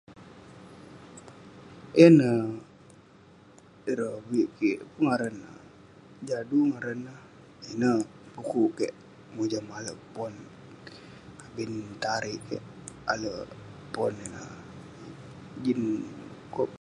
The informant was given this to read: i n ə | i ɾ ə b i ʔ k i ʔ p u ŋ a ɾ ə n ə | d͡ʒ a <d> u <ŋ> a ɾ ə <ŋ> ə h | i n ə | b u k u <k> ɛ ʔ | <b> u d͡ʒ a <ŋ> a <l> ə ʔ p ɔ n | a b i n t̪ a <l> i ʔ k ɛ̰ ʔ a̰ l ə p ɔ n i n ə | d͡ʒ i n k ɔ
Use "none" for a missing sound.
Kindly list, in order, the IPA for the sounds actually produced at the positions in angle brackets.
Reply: d, ŋ, n, k, m, m, l, ɾ

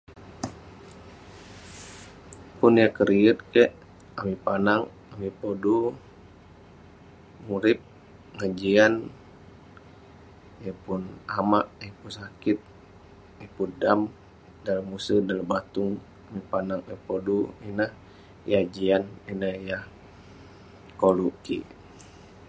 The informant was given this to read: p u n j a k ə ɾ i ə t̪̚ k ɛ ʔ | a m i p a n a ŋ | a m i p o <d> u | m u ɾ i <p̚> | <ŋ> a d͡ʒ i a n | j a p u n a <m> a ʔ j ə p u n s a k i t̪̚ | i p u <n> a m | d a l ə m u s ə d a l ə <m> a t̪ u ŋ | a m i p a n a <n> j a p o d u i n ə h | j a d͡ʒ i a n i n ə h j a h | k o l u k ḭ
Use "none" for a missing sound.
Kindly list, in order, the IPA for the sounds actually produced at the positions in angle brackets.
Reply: d, p̚, ŋ, m, d, b, ŋ

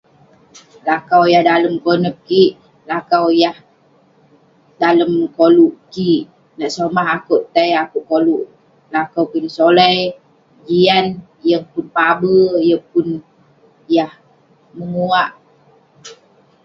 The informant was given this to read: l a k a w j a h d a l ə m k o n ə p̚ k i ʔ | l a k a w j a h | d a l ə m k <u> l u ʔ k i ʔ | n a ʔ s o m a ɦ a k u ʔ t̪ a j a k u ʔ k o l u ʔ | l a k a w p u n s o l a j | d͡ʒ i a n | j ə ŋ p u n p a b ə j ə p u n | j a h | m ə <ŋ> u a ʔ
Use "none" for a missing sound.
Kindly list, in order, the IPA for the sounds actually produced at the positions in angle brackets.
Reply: o, ŋ

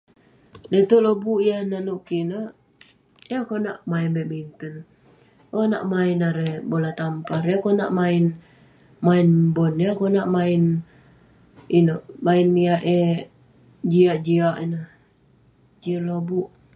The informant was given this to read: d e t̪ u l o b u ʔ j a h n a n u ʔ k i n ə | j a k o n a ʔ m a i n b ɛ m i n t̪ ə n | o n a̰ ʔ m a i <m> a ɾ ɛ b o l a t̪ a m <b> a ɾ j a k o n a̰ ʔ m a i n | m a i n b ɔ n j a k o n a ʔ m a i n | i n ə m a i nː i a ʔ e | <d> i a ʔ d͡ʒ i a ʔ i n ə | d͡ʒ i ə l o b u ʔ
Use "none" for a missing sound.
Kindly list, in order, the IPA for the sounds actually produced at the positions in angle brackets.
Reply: n, p, d͡ʒ

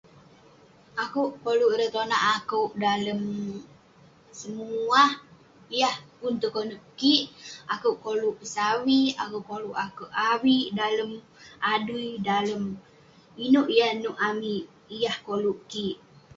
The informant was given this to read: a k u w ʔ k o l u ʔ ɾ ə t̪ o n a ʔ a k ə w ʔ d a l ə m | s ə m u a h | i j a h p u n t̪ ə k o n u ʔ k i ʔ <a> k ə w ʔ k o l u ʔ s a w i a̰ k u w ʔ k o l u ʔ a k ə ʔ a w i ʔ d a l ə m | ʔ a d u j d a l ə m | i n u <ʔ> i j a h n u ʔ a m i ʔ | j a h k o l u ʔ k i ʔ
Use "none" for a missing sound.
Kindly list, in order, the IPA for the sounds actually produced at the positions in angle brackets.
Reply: a, ʔ

